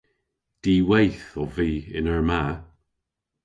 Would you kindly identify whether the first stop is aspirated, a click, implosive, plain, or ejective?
plain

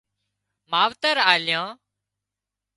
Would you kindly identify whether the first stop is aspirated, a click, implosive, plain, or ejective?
plain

